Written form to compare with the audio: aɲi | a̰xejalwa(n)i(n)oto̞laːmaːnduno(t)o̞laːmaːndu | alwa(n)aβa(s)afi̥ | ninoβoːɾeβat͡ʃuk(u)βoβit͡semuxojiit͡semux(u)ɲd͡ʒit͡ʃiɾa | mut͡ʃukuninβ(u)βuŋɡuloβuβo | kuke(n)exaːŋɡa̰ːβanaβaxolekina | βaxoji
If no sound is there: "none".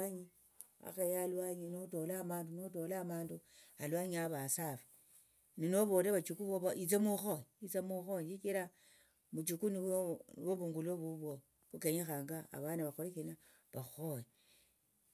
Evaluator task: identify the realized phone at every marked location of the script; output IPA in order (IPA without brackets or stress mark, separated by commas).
ɲ, n, t, ɲ, s, u, o, o, ɲ